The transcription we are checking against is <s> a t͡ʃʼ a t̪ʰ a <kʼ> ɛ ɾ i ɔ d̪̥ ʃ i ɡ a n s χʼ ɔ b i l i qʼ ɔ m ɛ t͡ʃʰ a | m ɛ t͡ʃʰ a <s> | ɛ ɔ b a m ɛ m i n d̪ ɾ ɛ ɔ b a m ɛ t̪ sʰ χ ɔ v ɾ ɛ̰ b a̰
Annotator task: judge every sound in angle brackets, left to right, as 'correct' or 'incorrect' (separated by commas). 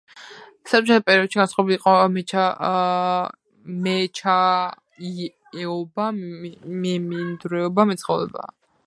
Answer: correct, incorrect, incorrect